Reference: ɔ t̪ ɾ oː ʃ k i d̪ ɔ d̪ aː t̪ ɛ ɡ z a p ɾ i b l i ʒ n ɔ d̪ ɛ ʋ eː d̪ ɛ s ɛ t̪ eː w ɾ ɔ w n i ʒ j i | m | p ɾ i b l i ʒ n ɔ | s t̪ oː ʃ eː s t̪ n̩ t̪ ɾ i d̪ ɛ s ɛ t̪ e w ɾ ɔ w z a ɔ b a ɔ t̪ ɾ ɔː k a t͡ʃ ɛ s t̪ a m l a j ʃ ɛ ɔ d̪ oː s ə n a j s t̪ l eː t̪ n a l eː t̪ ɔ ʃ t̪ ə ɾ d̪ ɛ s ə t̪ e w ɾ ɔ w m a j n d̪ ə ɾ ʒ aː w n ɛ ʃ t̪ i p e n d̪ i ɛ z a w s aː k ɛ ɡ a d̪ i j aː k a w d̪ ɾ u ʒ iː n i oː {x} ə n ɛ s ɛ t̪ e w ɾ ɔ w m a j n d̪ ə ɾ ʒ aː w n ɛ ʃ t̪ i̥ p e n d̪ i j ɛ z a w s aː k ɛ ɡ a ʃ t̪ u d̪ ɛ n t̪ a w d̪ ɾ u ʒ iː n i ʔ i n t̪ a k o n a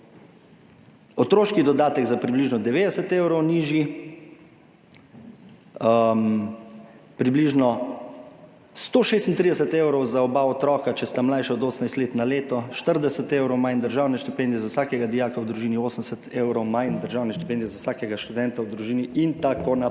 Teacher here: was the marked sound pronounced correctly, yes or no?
no